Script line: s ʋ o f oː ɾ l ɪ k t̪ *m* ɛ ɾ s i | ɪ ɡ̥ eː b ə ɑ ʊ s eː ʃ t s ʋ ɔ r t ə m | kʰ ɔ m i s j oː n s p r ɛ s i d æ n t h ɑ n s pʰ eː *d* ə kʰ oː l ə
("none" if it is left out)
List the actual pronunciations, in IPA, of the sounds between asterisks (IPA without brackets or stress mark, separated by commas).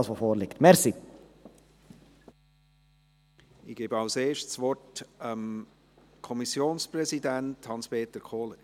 m, t